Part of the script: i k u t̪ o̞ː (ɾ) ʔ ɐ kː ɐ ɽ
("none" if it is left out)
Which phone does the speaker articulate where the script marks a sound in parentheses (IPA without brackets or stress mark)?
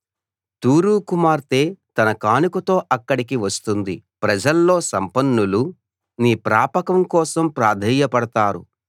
none